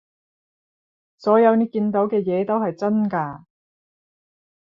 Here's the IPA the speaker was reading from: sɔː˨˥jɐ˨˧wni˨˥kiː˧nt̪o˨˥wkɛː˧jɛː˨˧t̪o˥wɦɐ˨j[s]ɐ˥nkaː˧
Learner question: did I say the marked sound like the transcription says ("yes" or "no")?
no